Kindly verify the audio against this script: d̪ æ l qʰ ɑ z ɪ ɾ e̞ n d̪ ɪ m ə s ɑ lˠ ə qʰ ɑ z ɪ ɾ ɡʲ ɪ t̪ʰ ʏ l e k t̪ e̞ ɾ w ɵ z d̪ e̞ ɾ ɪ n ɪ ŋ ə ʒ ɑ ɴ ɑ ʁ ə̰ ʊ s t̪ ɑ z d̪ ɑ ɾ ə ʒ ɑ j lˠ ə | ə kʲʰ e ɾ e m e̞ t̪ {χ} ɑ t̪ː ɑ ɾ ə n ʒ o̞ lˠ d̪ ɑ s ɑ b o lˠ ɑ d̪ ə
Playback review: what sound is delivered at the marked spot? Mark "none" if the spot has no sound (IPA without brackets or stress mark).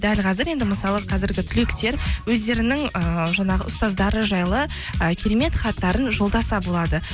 χ